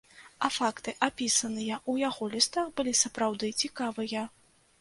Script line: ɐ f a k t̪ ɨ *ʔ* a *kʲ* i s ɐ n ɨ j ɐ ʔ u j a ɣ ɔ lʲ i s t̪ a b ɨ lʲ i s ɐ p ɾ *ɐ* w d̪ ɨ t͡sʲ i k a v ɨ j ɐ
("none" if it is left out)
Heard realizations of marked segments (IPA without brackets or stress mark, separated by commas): ʔ, pʲ, a